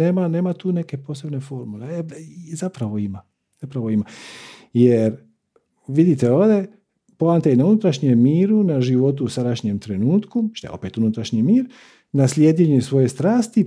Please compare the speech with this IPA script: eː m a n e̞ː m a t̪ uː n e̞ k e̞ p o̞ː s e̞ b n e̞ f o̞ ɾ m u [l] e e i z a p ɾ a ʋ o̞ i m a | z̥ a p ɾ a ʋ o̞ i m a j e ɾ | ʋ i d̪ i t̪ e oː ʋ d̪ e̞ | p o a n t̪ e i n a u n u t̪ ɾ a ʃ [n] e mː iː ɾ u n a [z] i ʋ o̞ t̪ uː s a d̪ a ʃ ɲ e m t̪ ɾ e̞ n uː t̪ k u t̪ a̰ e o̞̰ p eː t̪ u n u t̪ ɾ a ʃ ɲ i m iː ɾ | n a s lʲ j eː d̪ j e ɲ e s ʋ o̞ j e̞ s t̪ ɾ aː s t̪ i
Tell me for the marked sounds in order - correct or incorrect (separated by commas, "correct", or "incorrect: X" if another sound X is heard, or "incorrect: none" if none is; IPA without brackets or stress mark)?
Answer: correct, incorrect: ɲ, incorrect: ʒ